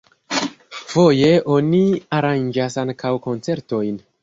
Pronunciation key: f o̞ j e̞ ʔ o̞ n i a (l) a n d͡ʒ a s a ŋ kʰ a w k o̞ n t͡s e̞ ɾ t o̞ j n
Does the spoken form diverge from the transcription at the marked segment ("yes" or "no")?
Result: yes